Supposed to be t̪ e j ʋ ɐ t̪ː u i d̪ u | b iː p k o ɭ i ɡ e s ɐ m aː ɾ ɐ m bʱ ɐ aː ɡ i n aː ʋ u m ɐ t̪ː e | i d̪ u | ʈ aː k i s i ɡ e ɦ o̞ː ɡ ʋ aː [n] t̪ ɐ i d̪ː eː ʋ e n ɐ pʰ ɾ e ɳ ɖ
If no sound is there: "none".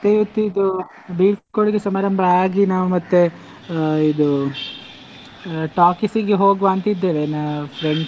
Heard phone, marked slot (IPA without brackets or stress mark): n